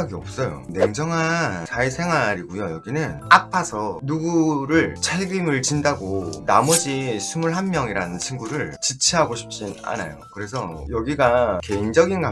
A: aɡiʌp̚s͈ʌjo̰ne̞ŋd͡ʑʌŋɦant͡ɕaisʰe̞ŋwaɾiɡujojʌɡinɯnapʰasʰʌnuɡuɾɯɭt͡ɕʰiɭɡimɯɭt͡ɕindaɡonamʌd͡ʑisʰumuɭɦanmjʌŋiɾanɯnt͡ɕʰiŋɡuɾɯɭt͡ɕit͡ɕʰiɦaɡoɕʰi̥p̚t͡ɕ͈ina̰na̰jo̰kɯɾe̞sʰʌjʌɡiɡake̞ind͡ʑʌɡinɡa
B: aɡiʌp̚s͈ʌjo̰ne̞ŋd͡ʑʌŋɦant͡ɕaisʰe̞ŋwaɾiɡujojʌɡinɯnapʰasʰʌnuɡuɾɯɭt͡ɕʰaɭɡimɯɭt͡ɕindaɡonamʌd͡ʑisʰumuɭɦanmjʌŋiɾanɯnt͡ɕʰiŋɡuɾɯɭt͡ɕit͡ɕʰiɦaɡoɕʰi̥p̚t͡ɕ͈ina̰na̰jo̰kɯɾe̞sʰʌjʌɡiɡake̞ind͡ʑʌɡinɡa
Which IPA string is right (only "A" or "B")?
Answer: B